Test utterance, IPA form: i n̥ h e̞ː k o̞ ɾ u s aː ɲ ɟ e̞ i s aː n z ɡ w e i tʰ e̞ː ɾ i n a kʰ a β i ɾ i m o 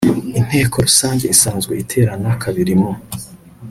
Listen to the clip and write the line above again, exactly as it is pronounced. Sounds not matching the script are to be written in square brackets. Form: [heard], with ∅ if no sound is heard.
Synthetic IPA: i n̥ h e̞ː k o̞ ɾ u s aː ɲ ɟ e̞ i s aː n z ɡ w e i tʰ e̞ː ɾ [a] n a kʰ a β i ɾ i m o